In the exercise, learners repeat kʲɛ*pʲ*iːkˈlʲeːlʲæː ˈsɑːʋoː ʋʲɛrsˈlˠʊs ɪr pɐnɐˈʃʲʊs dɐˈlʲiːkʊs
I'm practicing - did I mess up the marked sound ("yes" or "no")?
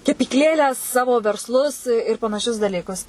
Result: no